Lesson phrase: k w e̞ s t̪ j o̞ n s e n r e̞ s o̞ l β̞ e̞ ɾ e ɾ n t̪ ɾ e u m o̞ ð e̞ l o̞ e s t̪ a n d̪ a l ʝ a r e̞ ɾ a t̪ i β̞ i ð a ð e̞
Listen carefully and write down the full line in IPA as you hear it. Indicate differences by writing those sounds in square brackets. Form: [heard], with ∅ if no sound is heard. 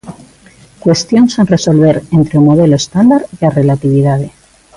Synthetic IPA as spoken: k w e̞ s t̪ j o̞ n s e n r e̞ s o̞ l β̞ e̞ ɾ e [∅] n t̪ ɾ e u m o̞ ð e̞ l o̞ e s t̪ a n d̪ a [ɾ] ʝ a r e̞ [l] a t̪ i β̞ i ð a ð e̞